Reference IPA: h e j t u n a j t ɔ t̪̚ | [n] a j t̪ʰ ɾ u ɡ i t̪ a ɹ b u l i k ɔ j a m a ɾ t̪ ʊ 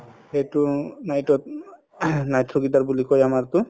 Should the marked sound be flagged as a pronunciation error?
no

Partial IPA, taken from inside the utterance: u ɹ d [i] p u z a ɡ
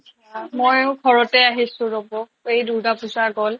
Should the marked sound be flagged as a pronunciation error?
yes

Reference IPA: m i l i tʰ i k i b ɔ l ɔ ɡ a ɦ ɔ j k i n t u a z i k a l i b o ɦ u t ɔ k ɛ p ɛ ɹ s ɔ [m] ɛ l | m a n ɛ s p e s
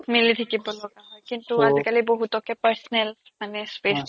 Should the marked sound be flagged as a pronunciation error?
yes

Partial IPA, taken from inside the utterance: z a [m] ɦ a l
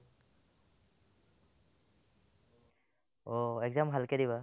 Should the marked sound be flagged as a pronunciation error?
no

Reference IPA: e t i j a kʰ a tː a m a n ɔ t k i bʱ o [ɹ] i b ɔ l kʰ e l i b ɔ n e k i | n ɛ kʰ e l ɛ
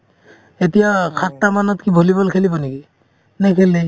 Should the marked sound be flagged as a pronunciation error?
yes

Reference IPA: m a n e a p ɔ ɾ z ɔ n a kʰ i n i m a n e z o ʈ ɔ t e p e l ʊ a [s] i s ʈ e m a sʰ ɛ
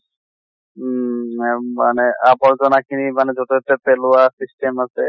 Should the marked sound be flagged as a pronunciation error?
no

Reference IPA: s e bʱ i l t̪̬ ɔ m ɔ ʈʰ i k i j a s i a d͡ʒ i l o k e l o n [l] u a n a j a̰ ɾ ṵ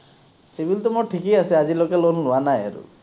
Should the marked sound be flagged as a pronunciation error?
no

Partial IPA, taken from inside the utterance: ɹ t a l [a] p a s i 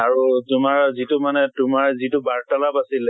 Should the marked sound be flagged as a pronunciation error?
no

